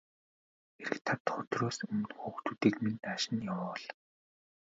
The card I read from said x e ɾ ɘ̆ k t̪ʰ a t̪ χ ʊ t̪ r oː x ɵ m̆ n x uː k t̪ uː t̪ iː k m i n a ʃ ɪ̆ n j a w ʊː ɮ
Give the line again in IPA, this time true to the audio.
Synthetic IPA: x e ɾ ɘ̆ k t̪ʰ a t̪ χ ʊ t̪ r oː s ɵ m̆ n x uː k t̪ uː t̪ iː k m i n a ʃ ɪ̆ n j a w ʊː ɮ